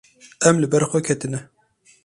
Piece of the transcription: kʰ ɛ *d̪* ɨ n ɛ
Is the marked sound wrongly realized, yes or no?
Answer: yes